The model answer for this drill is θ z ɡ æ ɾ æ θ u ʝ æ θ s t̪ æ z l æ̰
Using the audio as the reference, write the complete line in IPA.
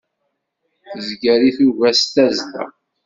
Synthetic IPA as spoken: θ z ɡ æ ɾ i θ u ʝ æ s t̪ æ z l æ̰